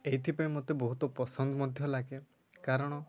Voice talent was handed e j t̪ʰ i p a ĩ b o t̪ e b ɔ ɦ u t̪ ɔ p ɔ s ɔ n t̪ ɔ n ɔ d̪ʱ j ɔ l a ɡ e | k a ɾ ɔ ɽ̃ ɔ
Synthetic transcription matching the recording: e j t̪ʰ i p a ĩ m o t̪ e b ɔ ɦ u t̪ ɔ p ɔ s ɔ n d̪ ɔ m ɔ d̪ʱ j ɔ l a ɡ e | k a ɾ ɔ ɽ̃ ɔ

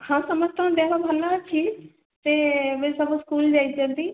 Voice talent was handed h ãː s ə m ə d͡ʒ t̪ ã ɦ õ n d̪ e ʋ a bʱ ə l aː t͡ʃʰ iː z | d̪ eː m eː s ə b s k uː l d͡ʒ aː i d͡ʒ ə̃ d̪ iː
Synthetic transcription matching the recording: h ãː s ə m ə d͡ʒ t̪ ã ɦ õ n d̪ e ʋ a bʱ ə l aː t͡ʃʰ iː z | t̪ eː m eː s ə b s k uː l d͡ʒ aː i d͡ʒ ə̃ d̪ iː

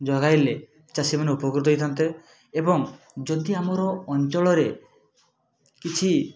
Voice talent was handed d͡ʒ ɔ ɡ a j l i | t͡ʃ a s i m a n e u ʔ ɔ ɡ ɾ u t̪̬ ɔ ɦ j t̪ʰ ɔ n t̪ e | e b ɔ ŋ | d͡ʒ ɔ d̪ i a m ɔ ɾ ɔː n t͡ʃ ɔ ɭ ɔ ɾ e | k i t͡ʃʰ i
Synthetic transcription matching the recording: d͡ʒ ɔ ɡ a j l e | t͡ʃ a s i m a n e u p ɔ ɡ ɾ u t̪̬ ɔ ɦ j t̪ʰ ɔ n t̪ e | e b ɔ ŋ | d͡ʒ ɔ d̪ i a m ɔ ɾ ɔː n t͡ʃ ɔ ɭ ɔ ɾ e | k i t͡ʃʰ i

